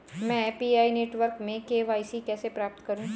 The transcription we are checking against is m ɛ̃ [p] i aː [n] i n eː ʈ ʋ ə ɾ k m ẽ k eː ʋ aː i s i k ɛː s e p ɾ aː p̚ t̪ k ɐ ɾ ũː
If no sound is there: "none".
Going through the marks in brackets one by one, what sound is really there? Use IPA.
p, none

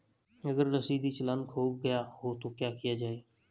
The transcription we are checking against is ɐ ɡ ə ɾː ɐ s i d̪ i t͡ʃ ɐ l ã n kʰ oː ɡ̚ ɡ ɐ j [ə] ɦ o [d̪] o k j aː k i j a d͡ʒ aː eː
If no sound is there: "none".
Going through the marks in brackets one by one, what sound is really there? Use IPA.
a, t̪

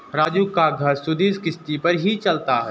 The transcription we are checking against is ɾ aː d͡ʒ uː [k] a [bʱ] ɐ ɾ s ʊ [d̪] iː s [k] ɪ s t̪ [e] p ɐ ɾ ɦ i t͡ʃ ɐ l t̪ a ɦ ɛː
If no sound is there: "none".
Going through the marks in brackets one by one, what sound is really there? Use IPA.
k, ɡʱ, d̪, k, i

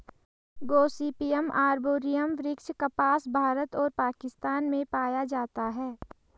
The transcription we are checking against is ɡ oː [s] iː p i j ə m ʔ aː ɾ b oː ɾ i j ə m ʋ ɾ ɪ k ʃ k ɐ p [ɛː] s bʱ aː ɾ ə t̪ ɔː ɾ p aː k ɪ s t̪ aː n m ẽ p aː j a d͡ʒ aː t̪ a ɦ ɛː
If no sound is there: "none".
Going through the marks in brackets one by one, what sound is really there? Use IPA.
s, aː

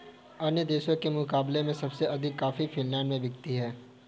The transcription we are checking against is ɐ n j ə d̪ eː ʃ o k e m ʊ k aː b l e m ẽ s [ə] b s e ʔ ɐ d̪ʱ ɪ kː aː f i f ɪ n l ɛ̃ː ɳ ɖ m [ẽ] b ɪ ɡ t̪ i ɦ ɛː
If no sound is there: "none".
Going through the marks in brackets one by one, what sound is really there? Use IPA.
ɐ, ẽ

